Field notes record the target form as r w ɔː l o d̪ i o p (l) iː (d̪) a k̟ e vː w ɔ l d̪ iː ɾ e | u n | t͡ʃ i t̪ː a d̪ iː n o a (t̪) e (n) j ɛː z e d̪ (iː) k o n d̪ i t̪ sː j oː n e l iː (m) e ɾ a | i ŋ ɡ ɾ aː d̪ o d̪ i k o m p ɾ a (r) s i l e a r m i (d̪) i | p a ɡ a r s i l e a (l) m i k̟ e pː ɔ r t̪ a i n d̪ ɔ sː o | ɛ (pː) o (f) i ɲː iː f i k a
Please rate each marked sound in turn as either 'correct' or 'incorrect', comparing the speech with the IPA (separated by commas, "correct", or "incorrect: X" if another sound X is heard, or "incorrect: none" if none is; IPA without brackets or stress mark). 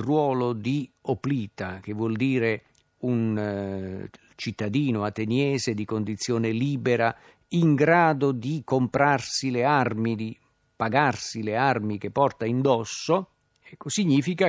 correct, incorrect: t̪, correct, correct, incorrect: i, incorrect: b, correct, correct, incorrect: r, incorrect: kː, incorrect: s